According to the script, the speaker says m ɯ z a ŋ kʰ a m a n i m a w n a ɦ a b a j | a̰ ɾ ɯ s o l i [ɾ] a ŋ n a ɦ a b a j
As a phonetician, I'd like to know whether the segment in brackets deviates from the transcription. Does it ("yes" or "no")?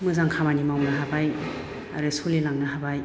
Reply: yes